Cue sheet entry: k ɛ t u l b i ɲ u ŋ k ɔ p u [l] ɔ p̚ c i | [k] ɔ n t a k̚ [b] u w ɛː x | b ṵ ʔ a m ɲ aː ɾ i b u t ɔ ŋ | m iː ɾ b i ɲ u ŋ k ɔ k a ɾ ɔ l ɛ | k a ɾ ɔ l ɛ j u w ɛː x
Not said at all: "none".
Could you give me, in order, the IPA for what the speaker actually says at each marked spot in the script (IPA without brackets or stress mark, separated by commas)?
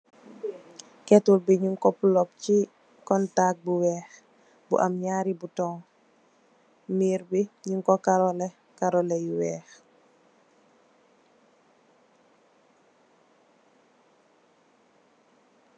l, k, b